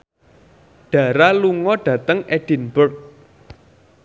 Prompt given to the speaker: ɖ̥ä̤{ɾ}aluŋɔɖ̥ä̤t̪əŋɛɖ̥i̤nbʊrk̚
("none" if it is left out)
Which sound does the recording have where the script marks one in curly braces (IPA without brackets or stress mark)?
ɾ